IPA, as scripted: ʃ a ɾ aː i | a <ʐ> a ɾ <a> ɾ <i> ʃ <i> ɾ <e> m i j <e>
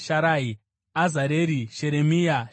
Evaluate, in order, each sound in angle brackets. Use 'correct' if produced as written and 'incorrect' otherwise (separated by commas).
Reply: incorrect, incorrect, correct, incorrect, correct, incorrect